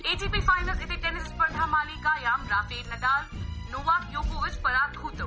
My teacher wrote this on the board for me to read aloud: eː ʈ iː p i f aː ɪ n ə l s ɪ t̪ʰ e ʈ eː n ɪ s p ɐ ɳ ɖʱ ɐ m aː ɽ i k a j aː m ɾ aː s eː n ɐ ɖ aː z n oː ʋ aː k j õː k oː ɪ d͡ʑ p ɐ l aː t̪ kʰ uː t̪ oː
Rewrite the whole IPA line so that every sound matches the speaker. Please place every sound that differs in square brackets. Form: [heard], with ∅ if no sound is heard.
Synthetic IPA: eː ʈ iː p i f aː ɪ n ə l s ɪ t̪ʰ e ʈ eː n ɪ s p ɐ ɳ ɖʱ [a] m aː [l] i k a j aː m ɾ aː [f] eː n ɐ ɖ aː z n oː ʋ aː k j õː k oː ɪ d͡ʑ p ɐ [ɾ] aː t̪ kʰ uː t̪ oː

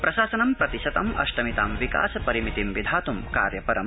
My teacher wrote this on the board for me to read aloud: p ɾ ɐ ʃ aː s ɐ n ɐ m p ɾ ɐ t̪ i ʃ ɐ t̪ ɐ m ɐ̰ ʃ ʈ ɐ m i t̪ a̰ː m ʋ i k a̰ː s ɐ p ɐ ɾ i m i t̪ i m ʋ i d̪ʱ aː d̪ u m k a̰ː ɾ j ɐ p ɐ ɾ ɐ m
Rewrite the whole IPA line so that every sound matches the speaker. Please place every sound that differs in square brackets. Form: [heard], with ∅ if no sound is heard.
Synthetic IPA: p ɾ ɐ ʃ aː s ɐ n ɐ m p ɾ ɐ t̪ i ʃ ɐ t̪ ɐ m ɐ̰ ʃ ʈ ɐ m i t̪ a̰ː m ʋ i k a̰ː s ɐ p ɐ ɾ i m i t̪ i m ʋ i d̪ʱ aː [t̪] u m k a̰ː ɾ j ɐ p ɐ ɾ ɐ m

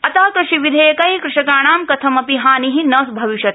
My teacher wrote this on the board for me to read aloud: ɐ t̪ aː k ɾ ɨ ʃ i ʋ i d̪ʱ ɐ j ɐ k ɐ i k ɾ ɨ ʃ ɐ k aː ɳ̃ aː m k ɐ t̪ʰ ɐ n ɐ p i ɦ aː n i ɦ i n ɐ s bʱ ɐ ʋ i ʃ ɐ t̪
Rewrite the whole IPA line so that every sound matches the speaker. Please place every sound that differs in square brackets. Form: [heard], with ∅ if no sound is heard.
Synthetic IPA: ɐ t̪ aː k ɾ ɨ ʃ i ʋ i d̪ʱ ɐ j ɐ k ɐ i k ɾ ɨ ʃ ɐ k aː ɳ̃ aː m k ɐ t̪ʰ ɐ [m] ɐ p i ɦ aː n i ɦ i n ɐ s bʱ ɐ ʋ i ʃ ɐ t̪

